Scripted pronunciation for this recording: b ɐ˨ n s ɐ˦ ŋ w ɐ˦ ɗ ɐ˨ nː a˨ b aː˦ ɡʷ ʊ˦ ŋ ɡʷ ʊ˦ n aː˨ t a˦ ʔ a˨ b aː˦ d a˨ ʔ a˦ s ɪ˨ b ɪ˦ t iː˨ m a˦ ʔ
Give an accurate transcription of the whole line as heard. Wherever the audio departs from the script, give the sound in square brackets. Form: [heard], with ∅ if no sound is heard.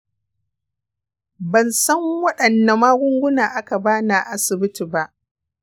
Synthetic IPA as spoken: b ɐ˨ n s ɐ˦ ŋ w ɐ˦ ɗ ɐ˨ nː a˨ [m] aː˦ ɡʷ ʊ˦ ŋ ɡʷ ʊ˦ n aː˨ [ʔ] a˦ [k] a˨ b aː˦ [n] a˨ ʔ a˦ s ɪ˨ b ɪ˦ t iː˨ [b] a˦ ʔ